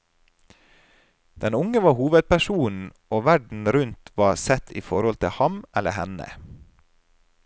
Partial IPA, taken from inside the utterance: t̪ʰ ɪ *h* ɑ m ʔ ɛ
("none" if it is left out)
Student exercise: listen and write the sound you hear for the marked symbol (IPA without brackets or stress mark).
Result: h